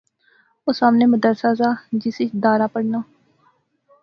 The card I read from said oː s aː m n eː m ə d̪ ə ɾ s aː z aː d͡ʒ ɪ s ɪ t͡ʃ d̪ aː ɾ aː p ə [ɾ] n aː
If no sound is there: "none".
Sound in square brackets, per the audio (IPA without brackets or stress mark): ɽ